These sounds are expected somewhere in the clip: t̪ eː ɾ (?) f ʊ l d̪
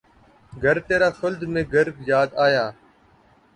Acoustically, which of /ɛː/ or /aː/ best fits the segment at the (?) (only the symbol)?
aː